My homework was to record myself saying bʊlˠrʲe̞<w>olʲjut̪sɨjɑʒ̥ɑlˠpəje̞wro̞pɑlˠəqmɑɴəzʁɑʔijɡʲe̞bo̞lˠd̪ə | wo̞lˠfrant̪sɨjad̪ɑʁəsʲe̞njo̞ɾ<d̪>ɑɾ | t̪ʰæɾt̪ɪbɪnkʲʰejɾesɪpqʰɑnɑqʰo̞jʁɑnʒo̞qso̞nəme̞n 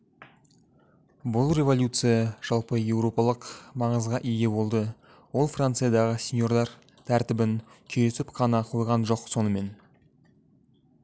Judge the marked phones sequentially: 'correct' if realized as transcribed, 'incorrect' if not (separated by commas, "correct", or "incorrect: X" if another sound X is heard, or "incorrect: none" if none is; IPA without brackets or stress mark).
incorrect: v, correct